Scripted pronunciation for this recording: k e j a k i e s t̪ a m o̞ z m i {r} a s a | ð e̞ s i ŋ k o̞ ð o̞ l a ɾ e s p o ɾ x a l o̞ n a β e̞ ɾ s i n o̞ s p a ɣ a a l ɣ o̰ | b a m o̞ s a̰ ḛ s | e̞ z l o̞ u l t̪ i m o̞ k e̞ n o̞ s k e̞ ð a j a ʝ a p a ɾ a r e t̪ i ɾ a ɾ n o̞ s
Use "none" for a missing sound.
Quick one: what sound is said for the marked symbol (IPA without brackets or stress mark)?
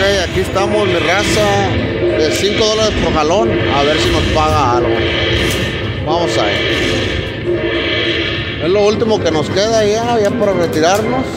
r